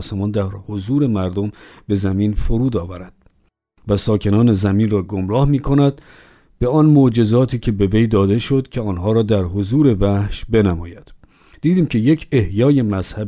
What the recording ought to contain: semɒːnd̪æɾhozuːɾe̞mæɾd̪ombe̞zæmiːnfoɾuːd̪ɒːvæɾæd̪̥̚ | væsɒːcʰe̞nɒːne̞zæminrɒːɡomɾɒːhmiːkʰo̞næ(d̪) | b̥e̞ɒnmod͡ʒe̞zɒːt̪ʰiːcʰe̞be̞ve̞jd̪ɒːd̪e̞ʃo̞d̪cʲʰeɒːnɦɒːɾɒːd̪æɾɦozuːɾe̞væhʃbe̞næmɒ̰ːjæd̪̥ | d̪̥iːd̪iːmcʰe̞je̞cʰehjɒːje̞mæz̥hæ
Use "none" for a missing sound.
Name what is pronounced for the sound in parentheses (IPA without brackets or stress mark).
d̪